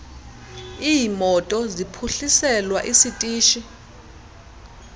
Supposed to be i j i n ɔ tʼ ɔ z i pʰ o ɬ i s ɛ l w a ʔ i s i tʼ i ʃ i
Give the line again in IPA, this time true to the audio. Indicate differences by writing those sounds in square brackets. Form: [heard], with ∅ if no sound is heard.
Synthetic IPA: i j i [m] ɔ tʼ ɔ z i pʰ [u] ɬ i s ɛ l w a ʔ i s i tʼ [iː] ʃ i